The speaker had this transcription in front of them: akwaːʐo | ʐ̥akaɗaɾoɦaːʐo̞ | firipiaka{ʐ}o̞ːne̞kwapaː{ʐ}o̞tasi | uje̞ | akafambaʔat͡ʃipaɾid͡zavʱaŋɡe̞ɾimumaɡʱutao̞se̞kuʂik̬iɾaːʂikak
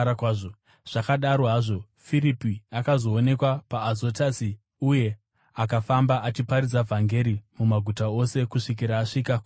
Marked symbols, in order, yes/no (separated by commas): no, no